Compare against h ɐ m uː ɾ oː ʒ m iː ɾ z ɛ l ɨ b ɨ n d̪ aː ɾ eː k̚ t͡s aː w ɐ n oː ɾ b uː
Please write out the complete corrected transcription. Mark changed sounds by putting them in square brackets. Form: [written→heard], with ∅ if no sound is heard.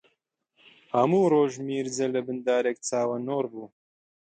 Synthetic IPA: h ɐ m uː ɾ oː ʒ m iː ɾ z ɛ l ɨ b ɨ n d̪ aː ɾ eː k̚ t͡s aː w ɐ n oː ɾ b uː

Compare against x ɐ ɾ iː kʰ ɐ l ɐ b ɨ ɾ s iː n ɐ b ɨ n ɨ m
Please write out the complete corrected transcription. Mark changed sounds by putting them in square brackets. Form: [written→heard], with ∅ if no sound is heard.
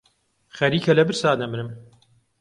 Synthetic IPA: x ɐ ɾ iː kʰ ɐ l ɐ b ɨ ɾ s [iː→aː] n ɐ [b→m] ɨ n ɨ m

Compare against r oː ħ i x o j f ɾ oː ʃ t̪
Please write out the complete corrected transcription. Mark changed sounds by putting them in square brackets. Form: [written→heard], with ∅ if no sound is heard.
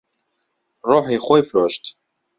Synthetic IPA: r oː ħ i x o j f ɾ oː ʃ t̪

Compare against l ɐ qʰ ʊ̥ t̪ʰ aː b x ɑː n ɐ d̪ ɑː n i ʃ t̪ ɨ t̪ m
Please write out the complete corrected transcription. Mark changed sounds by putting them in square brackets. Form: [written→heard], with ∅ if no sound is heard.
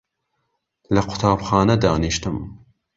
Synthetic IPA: l ɐ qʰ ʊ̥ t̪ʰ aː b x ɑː n ɐ d̪ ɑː n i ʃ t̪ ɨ [t̪→∅] m

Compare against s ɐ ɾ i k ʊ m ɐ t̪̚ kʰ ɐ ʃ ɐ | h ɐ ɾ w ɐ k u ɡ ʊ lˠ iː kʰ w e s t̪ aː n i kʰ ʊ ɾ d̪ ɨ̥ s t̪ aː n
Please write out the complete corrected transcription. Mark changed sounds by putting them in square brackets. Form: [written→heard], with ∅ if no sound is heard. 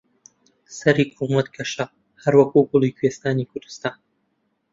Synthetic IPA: s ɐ ɾ i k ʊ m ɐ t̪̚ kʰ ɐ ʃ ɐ | h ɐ ɾ w ɐ k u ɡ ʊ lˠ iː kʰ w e s t̪ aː n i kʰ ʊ ɾ d̪ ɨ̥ s t̪ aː n

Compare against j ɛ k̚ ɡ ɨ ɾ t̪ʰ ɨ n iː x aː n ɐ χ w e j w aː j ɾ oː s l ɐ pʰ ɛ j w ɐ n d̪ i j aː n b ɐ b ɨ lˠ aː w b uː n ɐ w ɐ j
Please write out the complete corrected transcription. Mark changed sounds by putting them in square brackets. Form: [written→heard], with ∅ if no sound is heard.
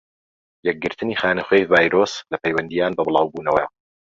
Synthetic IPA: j ɛ k̚ ɡ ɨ ɾ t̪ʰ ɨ n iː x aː n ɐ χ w e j [w→v] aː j ɾ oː s l ɐ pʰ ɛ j w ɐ n d̪ i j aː n b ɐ b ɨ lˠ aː w b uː n ɐ w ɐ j

